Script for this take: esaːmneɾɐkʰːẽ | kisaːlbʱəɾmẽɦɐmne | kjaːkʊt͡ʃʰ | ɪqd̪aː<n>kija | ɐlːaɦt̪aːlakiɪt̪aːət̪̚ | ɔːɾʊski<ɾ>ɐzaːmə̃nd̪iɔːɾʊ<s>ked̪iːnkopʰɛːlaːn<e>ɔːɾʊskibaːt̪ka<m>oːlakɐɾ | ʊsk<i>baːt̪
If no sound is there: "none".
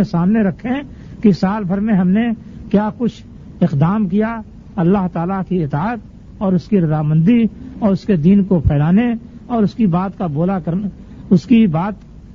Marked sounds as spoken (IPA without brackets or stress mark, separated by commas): m, ɾ, s, e, b, i